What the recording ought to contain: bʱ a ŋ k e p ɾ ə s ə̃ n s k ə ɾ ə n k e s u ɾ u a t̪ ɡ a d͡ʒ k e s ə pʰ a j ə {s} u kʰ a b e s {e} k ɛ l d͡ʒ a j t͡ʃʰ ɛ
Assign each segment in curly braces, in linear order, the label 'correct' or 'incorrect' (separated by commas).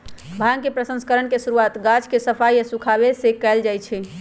correct, correct